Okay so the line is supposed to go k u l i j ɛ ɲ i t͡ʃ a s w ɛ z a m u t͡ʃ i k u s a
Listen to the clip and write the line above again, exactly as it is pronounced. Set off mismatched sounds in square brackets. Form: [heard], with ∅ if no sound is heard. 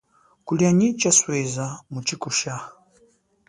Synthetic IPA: k u l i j [a] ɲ i t͡ʃ a s w ɛ z a m u t͡ʃ i k u [ʃ] a